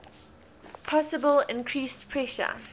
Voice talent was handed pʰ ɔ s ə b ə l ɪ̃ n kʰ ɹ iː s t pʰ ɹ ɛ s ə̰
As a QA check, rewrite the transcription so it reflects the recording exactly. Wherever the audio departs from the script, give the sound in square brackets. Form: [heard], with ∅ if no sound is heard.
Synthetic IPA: pʰ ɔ s ə b ə l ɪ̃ n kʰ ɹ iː s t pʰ ɹ ɛ [ʃ] ə̰

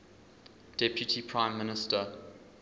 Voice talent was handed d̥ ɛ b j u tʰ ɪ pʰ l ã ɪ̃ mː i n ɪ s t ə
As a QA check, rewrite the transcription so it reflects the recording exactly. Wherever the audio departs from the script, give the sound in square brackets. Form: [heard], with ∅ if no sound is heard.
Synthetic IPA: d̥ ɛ [p] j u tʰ [i] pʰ [ɹ] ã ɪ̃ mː [ɪ] n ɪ s t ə

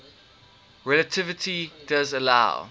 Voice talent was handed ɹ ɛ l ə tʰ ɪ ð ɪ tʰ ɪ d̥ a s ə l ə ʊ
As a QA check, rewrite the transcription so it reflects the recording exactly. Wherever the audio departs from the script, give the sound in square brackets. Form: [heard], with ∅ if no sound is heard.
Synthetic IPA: ɹ ɛ l ə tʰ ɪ [v] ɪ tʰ [i] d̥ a [z] ə l [a] ʊ

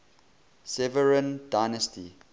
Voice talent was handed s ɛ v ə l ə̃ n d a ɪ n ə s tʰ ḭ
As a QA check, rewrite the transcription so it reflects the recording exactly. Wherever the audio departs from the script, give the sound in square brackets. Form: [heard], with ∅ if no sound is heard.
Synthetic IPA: s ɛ v ə [ɹ] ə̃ n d a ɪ n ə s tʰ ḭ

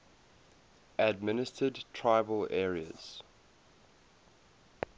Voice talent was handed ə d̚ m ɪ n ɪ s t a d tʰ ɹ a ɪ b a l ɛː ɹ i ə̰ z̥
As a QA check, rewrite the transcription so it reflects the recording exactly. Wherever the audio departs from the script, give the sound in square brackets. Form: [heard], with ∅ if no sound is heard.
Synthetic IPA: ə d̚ m ɪ n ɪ s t [ə] d tʰ ɹ a ɪ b [ə] l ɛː ɹ i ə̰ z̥

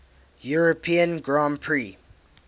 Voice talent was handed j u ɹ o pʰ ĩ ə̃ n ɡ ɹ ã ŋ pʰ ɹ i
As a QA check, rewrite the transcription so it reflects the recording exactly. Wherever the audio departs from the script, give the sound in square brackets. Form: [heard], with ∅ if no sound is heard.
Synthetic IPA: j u ɹ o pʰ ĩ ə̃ n ɡ ɹ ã [m] pʰ ɹ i

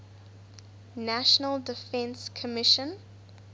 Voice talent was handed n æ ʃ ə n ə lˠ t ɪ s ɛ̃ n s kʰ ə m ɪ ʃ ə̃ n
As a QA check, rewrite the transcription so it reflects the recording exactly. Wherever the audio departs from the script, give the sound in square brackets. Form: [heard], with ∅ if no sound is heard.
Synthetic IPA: n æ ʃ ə n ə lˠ [d] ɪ [f] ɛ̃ n s kʰ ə m ɪ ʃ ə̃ n

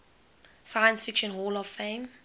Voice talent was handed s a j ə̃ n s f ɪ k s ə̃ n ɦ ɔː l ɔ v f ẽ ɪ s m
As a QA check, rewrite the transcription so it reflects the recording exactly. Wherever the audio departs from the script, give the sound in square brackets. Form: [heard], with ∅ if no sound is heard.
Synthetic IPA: s a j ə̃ n s f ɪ k [ʃ] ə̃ n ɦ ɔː l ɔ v f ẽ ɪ [∅] m

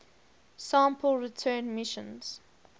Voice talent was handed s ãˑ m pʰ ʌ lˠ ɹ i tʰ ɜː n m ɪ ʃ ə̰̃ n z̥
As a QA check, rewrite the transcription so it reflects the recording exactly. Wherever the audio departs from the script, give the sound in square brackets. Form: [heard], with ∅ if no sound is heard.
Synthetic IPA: s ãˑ m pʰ [ə] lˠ ɹ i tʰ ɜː n m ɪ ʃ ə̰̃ n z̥

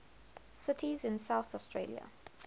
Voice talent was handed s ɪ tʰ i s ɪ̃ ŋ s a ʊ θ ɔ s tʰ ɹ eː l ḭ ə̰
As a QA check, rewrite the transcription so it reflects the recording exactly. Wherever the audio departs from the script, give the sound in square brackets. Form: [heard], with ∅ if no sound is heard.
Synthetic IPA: s ɪ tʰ i [z] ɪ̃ [n] s a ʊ θ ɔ s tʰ ɹ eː l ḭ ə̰

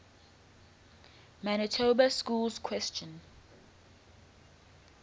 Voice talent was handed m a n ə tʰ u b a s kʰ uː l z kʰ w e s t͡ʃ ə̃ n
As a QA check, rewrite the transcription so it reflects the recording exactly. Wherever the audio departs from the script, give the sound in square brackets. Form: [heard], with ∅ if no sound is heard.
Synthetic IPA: m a n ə tʰ [o] b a s [k] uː l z kʰ w [ɛ] s t͡ʃ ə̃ n

